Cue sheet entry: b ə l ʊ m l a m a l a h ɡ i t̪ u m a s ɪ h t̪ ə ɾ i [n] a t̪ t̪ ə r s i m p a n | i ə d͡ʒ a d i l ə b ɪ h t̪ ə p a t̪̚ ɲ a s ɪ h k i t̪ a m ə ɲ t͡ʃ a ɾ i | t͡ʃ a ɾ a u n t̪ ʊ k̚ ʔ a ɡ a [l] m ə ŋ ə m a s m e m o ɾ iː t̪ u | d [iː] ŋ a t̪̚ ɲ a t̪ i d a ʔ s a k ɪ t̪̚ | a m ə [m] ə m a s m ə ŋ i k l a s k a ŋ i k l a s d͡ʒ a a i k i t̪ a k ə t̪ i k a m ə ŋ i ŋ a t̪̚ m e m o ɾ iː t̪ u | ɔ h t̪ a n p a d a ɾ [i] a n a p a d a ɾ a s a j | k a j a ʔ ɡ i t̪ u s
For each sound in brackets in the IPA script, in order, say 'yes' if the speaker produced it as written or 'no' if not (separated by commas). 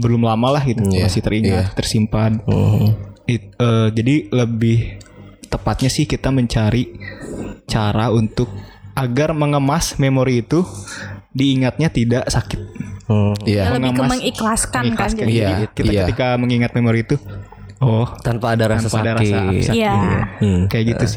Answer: no, no, yes, no, no